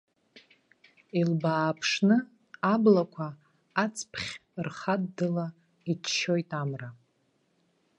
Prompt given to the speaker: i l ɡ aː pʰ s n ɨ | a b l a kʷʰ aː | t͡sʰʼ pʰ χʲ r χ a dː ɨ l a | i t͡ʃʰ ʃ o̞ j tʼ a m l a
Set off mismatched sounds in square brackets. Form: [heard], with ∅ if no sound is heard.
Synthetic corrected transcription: i l [b] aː pʰ [ʂ] n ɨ | a b l a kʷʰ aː | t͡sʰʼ pʰ χʲ r χ a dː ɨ l a | i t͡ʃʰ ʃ o̞ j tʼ a m [r] a